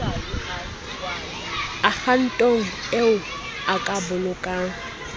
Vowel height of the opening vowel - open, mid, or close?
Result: open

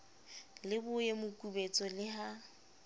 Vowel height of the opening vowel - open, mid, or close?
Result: close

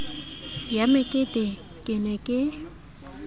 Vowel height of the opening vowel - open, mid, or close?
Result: open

